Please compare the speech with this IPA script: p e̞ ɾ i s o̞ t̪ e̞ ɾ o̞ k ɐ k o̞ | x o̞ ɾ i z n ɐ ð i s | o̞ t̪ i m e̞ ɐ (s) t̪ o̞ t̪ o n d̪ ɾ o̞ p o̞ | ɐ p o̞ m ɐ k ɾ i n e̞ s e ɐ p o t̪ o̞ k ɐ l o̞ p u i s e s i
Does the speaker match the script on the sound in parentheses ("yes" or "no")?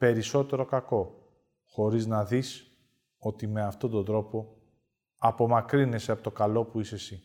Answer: no